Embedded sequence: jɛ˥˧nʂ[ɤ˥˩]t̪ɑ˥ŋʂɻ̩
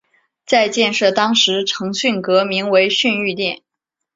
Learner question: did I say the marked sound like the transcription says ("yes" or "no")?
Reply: yes